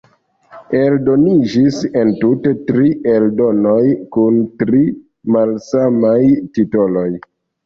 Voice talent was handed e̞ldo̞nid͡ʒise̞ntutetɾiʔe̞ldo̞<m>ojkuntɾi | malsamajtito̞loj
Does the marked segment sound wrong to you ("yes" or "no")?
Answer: yes